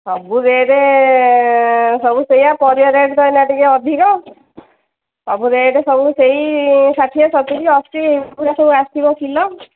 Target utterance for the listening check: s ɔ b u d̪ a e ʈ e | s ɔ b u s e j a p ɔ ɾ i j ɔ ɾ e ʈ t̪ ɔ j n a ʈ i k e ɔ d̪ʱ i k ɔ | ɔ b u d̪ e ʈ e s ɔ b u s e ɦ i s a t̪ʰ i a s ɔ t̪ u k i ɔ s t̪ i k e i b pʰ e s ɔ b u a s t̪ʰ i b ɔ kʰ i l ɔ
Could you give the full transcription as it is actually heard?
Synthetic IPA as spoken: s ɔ b u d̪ e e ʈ e | s ɔ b u s e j a p ɔ ɾ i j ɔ ɾ e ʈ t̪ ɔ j n a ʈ i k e ɔ d̪ʱ i k ɔ | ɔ b u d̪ e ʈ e s ɔ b u s e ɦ i s a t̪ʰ i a s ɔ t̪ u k i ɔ s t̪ i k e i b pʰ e s ɔ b u a s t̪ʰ i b ɔ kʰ i l ɔ

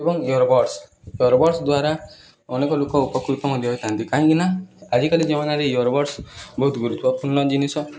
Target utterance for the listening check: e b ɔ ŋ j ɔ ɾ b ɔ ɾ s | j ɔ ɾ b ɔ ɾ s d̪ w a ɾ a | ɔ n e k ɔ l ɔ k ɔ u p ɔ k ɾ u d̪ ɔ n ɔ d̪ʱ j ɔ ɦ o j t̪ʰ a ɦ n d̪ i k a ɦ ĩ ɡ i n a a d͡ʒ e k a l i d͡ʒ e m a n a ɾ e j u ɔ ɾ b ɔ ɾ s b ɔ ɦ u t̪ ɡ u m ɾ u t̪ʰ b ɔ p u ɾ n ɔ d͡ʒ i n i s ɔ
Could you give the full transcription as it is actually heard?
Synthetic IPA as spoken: e b ɔ ŋ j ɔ ɾ b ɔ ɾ s | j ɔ ɾ b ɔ ɾ s d̪ w a ɾ a | ɔ n e k ɔ l o k ɔ u p ɔ k ɾ u t̪ ɔ m ɔ d̪ʱ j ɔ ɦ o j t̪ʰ a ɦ n t̪ i k a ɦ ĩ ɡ i n a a d͡ʒ i k a l i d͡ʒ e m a n a ɾ e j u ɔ ɾ b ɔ ɾ s b ɔ ɦ u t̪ ɡ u ɾ u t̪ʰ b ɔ p u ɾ n ɔ d͡ʒ i n i s ɔ

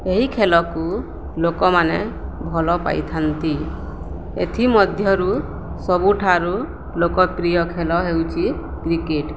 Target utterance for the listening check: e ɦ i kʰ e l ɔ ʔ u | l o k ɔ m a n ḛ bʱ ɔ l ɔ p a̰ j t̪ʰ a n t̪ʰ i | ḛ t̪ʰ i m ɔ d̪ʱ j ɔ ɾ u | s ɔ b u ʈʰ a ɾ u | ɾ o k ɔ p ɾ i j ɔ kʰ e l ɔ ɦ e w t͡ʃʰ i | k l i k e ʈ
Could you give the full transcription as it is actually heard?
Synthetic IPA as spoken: e ɦ i kʰ e l ɔ k u | l o k ɔ m a n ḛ bʱ ɔ l ɔ p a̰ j t̪ʰ a n t̪ i | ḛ t̪ʰ i m ɔ d̪ʱ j ɔ ɾ u | s ɔ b u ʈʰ a ɾ u | l o k ɔ p ɾ i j ɔ kʰ e l ɔ ɦ e w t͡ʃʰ i | k ɾ i k e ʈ

